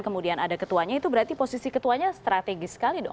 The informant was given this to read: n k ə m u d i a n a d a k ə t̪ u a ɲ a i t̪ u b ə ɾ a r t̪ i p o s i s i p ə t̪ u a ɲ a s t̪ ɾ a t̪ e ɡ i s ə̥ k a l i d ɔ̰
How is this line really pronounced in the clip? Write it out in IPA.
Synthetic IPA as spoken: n k ə m u d i a n a d a k ə t̪ u a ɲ a i t̪ u b ə ɾ a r t̪ i p o s i s i k ə t̪ u a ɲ a s t̪ ɾ a t̪ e ɡ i s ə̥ k a l i d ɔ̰